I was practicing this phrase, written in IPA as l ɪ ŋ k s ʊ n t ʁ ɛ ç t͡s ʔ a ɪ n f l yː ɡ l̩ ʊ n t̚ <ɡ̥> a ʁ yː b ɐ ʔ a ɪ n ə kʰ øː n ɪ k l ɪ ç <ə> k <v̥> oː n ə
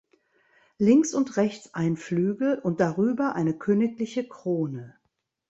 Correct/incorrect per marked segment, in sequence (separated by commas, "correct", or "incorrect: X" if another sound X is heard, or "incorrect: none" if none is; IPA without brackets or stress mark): incorrect: d̥, correct, incorrect: ʁ̥